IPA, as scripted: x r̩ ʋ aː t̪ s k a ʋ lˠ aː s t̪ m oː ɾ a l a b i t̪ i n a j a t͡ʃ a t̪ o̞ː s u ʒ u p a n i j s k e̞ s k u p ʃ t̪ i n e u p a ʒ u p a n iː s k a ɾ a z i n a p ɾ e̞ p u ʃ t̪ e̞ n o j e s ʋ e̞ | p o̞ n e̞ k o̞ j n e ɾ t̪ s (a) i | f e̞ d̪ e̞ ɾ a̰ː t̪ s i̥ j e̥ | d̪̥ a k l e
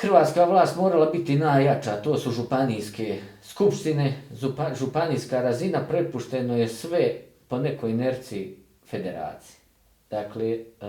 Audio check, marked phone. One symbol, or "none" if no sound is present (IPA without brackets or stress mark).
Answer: i